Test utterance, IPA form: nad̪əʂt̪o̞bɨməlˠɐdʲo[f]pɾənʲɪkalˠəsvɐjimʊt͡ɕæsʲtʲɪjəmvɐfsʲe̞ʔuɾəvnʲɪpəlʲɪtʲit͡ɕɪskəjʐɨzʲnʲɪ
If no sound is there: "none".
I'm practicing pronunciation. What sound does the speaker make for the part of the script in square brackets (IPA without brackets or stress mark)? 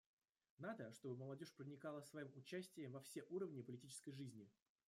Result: ʂ